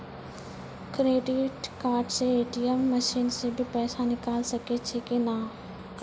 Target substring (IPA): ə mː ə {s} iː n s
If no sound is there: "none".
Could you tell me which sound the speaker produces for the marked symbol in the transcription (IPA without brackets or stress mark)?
ʃ